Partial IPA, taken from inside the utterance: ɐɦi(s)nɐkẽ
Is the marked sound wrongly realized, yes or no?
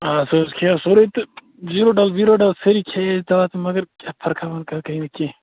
yes